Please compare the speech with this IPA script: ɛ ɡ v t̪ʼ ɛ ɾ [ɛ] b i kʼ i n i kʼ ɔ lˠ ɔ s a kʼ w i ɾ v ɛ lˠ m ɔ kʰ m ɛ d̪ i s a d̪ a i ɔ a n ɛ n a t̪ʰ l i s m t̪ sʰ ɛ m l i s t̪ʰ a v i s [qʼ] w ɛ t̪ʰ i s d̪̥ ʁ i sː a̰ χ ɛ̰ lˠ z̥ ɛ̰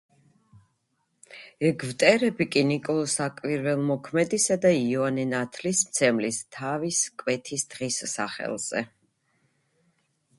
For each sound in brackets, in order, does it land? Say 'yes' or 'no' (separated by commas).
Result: yes, no